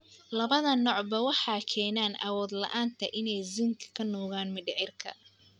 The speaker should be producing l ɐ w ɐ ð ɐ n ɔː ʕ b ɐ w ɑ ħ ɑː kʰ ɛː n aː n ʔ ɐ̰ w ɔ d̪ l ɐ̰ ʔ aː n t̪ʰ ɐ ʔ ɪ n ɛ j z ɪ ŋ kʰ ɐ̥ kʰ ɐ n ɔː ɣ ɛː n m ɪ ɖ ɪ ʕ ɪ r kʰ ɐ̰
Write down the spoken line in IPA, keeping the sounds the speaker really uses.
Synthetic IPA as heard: l ɐ β ɐ ð ɐ n ɔː ʕ b ɐ w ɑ ħ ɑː kʰ ɛː n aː n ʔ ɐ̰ w ɔː d̪ l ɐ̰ ʔ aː n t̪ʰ ɐ ʔ ɪ n ɛ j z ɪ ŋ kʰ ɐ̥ kʰ ɐ n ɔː ɣ aː n m ɪ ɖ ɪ ʕ ɪ r kʰ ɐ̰